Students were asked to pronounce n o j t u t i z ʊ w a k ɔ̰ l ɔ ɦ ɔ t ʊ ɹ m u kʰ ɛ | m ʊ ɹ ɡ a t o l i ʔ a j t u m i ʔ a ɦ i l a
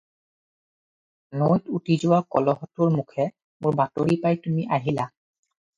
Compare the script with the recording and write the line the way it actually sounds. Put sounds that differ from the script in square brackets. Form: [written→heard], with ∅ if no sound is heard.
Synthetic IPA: n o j t u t i z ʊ w a k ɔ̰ l ɔ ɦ ɔ t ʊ ɹ m u kʰ ɛ | m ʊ ɹ [ɡ→b] a t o [l→ɹ] i [ʔ→p] a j t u m i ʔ a ɦ i l a